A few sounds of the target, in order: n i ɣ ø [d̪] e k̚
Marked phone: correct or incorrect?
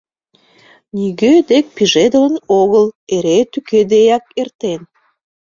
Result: correct